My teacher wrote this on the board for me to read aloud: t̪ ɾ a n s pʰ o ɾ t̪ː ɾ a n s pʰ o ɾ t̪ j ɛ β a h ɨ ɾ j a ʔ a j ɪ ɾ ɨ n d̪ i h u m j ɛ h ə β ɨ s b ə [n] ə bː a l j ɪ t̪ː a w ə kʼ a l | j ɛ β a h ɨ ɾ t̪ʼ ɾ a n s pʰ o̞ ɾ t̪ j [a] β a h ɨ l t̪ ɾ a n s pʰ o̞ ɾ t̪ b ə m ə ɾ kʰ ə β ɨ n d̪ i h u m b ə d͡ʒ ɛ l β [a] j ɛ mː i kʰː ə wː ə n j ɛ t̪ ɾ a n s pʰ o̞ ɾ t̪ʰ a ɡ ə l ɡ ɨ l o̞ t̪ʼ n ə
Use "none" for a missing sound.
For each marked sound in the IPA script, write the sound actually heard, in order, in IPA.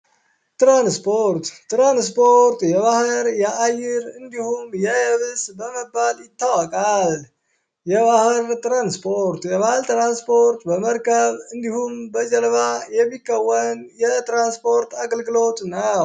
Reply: m, ɛ, a

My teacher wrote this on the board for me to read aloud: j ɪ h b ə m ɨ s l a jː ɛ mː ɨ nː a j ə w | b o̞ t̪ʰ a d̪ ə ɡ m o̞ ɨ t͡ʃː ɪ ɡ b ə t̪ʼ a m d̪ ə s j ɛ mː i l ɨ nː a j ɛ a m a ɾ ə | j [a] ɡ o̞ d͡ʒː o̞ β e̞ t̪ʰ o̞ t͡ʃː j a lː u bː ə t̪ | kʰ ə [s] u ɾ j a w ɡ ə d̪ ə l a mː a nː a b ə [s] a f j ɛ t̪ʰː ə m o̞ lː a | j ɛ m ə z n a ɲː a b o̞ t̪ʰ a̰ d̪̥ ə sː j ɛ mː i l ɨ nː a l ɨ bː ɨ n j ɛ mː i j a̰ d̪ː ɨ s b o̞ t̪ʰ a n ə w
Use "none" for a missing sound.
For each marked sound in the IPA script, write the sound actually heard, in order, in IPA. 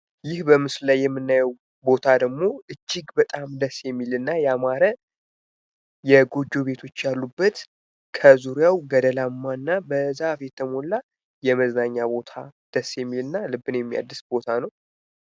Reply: ɛ, z, z

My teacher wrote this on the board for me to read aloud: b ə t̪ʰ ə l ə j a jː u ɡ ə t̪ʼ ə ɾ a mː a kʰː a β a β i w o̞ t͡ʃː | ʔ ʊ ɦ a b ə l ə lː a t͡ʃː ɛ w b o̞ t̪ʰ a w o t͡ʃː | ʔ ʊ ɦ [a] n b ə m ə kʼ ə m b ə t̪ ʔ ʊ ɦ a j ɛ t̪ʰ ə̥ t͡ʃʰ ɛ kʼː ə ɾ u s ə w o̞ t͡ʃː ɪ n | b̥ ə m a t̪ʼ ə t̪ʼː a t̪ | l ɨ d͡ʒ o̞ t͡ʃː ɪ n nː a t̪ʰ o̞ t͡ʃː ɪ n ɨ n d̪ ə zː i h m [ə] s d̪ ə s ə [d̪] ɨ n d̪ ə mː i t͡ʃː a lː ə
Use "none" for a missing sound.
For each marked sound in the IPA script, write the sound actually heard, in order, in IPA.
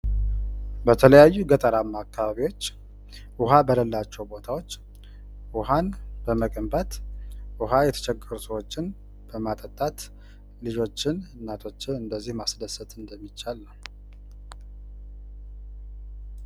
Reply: a, a, t̪

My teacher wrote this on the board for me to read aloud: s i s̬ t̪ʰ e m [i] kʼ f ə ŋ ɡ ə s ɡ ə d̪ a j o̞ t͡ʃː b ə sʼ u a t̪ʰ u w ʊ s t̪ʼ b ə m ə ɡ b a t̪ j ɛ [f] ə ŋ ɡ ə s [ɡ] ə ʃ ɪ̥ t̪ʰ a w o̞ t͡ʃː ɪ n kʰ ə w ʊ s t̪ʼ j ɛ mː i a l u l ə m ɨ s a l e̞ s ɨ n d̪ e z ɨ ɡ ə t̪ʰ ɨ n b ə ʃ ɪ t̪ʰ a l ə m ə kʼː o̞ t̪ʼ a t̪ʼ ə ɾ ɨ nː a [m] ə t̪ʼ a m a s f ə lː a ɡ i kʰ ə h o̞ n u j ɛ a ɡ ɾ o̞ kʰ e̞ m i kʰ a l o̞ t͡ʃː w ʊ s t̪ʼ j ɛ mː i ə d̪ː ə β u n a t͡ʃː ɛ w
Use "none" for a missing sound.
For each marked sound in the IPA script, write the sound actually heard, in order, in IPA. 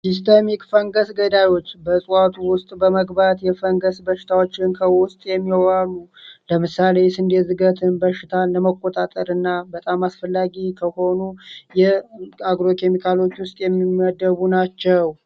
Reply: i, f, b, b

